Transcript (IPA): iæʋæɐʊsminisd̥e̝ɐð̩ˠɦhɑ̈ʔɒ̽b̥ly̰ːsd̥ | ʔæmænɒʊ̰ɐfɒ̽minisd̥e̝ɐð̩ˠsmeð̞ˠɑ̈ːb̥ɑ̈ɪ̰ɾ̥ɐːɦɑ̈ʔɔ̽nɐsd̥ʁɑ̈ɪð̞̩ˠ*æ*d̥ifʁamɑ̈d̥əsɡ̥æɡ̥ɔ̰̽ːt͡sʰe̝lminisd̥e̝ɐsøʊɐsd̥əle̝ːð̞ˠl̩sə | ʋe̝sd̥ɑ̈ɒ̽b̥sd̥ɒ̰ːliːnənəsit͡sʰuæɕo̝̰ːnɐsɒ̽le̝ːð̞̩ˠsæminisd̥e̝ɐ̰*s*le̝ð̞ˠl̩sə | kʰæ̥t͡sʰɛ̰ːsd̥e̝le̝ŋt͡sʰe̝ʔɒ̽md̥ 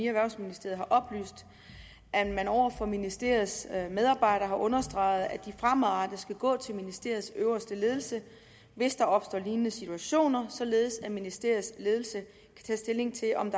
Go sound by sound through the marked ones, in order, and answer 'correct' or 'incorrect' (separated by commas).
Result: correct, correct